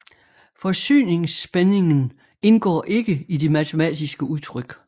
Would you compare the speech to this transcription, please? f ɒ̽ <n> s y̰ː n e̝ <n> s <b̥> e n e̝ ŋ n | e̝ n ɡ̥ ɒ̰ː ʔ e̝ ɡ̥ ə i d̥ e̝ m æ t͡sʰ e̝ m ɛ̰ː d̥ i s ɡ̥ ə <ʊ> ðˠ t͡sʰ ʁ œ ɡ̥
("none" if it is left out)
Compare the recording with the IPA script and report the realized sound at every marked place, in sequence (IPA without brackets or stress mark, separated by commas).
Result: none, ŋ, b̥, u